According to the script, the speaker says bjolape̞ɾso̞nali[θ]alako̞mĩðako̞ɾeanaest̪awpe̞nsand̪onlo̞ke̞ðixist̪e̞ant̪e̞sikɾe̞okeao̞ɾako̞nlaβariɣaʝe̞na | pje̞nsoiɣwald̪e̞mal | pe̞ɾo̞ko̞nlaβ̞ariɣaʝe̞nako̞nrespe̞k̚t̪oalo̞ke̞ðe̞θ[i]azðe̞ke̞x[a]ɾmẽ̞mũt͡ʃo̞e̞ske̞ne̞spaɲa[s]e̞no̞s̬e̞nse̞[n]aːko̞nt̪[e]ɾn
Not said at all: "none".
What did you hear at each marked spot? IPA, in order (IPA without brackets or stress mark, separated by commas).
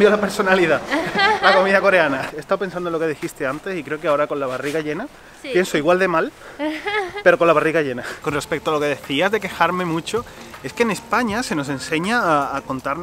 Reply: ð, i, a, s, ɲ, a